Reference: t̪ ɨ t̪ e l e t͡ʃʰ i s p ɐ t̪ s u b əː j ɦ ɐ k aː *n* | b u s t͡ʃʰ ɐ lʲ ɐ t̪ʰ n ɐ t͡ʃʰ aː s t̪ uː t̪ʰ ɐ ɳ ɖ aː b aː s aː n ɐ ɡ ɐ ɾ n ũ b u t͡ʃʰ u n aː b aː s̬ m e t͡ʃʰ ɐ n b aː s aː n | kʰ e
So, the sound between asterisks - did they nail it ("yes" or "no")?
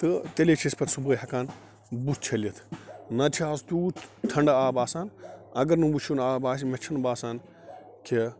yes